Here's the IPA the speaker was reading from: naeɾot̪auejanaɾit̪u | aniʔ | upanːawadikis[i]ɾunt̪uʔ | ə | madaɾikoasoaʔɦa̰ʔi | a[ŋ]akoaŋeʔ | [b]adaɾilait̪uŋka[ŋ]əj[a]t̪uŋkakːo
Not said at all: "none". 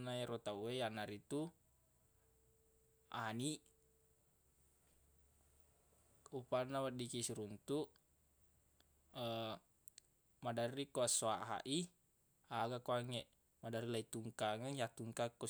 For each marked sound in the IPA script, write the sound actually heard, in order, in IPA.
i, ɡ, m, ŋ, a

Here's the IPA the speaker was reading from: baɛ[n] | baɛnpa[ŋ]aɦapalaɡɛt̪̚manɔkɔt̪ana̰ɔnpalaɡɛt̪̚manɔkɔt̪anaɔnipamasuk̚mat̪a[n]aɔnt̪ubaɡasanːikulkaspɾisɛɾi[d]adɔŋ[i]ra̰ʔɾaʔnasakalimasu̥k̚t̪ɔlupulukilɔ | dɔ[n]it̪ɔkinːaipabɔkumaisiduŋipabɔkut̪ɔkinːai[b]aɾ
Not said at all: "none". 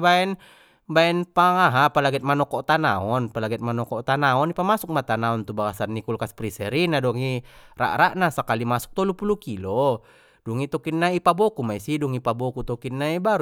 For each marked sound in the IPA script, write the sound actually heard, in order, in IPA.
n, ŋ, n, n, i, ŋ, b

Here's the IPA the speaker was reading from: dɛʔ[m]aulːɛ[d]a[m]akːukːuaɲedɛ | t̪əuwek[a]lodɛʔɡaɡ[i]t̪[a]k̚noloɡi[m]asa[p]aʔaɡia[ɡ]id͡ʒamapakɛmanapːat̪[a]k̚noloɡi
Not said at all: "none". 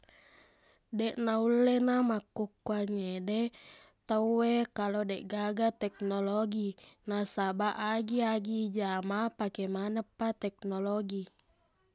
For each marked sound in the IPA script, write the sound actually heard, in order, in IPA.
n, n, m, a, a, ɛ, n, b, ɡ, ɛ

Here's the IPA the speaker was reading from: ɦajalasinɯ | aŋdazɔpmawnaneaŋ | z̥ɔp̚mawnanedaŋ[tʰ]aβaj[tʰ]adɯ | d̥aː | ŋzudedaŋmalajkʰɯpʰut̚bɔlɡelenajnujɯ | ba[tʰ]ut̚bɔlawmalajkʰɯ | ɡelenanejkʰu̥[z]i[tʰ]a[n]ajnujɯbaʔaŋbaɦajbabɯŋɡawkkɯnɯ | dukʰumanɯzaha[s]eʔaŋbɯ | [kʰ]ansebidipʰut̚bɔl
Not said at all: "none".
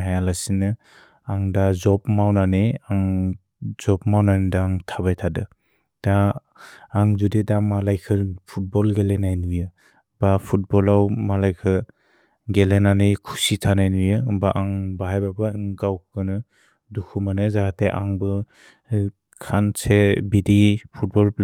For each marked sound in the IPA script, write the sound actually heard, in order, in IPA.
tʰ, tʰ, pʰ, s, tʰ, n, t, kʰ

